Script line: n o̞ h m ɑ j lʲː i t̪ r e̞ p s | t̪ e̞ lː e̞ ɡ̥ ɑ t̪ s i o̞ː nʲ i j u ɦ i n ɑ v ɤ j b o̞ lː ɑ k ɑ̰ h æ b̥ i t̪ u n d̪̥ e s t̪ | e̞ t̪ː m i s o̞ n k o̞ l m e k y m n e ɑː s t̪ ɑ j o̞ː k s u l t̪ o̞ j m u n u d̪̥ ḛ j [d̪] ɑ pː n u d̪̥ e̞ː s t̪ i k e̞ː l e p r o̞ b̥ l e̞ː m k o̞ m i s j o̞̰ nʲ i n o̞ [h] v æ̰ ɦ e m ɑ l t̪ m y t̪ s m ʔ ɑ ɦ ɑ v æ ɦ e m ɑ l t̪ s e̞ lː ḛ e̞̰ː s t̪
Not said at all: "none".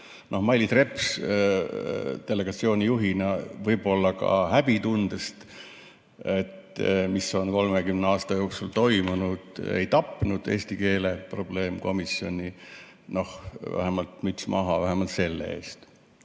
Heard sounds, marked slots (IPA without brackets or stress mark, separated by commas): t̪, h